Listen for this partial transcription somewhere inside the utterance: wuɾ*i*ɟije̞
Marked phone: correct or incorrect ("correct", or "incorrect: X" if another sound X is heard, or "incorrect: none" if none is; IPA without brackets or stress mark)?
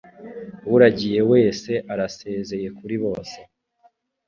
incorrect: a